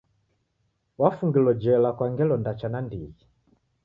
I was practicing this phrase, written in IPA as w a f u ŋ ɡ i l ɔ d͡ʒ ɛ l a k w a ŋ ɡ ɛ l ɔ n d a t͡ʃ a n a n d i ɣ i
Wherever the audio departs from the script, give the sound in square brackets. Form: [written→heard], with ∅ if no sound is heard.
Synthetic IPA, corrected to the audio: w a f u ŋ ɡ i l ɔ d͡ʒ ɛ l a k w a ŋ ɡ ɛ l ɔ n d a t͡ʃ a n a n d i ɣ i